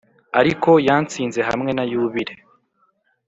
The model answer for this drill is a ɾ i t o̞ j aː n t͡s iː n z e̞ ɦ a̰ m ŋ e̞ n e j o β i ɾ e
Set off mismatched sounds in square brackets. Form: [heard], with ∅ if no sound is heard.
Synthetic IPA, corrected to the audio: a ɾ i [k] o̞ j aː n t͡s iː n z e̞ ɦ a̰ m ŋ e̞ n [a] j [u] β i ɾ e